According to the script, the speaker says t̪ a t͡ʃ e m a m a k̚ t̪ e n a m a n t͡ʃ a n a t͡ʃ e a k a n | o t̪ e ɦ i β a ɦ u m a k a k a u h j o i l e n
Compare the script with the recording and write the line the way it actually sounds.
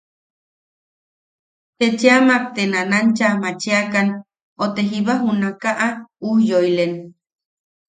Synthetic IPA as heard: t̪ e t͡ʃ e a m a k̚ t̪ e n a n a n t͡ʃ a m a t͡ʃ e a k a n | o t̪ e ɦ i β a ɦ u n a k a ʔ a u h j o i l e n